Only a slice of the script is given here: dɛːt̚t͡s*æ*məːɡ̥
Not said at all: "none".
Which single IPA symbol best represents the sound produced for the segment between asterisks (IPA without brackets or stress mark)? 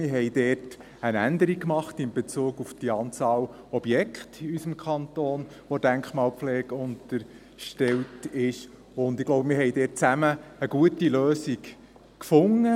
æ